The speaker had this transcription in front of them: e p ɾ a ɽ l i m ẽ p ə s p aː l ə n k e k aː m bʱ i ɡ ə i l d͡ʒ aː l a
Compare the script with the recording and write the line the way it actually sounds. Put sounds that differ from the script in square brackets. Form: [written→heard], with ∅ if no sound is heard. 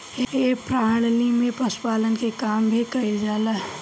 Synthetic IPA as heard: e p ɾ a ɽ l i m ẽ p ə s p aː l ə n k e k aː m bʱ i [ɡ→k] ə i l d͡ʒ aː l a